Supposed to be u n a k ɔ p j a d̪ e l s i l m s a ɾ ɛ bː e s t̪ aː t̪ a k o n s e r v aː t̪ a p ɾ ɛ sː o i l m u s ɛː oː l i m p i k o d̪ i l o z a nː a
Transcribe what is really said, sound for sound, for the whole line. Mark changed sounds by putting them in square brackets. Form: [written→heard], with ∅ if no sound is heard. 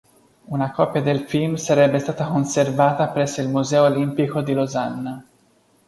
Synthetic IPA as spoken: u n a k ɔ p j a d̪ e l [s→f] i l m s a ɾ ɛ bː e s t̪ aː t̪ a k o n s e r v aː t̪ a p ɾ ɛ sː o i l m u [s→z] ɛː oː l i m p i k o d̪ i l o z a nː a